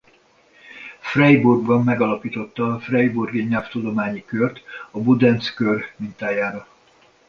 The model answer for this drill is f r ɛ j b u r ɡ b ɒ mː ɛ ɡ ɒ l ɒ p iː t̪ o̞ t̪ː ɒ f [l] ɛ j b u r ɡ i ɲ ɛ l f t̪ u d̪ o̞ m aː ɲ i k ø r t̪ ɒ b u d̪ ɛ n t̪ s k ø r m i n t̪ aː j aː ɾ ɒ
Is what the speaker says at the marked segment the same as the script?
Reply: no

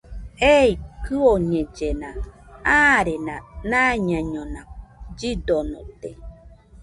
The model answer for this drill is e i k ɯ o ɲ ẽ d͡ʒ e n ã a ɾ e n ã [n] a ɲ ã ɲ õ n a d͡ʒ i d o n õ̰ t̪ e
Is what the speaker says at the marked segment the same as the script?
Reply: yes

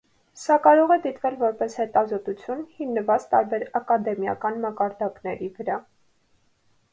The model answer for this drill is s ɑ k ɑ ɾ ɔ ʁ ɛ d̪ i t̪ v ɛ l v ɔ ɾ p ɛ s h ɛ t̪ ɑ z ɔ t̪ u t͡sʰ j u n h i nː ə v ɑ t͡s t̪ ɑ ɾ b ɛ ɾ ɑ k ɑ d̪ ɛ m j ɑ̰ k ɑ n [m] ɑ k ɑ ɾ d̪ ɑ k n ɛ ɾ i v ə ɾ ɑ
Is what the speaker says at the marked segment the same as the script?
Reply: yes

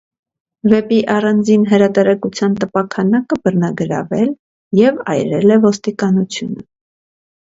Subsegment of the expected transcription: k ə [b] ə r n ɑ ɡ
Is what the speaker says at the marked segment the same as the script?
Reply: yes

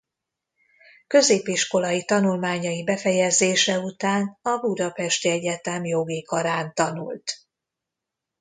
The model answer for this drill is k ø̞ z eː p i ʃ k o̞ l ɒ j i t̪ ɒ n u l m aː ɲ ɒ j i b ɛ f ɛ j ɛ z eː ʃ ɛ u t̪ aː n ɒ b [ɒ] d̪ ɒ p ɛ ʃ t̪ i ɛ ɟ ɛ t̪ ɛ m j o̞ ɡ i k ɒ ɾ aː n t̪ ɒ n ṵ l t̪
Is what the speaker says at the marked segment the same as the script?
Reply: no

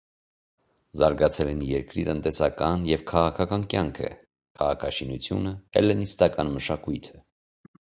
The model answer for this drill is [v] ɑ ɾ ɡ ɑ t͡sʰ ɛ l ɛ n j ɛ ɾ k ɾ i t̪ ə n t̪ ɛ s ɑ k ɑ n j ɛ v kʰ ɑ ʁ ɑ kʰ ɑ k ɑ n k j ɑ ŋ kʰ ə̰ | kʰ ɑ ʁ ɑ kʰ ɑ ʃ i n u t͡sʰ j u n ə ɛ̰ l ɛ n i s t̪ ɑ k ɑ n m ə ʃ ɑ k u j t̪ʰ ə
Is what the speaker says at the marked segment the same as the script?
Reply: no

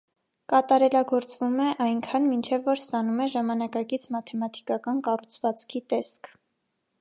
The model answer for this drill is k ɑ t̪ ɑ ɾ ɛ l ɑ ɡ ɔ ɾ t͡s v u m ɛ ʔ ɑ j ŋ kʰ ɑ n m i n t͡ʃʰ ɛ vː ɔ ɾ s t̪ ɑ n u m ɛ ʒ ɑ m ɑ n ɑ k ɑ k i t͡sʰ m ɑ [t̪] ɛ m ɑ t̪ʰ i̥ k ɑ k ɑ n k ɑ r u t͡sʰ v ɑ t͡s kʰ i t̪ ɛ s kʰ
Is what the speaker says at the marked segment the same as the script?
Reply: no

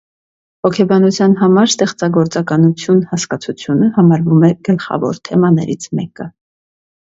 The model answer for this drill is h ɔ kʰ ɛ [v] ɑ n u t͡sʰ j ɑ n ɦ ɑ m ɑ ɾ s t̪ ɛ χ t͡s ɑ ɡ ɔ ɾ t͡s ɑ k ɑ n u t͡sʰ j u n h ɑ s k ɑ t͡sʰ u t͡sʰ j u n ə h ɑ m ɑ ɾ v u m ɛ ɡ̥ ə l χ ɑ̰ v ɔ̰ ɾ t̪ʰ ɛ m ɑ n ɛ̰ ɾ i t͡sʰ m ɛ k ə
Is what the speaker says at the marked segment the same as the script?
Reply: no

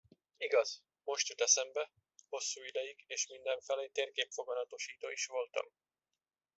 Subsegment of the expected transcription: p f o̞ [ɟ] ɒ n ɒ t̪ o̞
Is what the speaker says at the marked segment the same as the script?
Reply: no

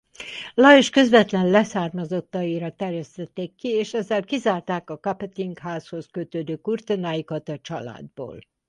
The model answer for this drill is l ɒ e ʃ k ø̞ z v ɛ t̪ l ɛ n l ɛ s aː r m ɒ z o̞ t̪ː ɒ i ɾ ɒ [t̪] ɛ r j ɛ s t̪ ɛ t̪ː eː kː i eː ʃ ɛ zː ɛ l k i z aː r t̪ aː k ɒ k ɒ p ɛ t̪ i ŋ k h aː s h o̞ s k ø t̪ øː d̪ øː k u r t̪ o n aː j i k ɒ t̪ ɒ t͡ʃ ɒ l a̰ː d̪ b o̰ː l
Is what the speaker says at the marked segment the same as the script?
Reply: yes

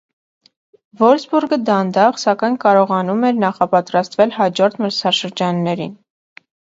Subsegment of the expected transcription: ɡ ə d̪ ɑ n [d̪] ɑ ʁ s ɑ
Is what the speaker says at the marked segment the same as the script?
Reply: yes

